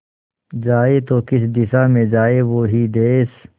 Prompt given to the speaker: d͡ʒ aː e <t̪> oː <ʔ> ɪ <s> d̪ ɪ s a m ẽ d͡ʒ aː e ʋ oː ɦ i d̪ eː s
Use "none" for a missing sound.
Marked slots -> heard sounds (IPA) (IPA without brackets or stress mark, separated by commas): t̪, k, s